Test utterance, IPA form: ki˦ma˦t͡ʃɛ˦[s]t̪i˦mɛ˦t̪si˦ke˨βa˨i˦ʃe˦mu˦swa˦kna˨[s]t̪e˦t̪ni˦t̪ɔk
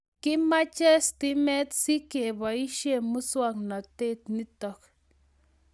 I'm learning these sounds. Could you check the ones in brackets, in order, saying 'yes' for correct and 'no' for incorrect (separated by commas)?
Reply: yes, no